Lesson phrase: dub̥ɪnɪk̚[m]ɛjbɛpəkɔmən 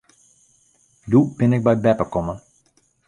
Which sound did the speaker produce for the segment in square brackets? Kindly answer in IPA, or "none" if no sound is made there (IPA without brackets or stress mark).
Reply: b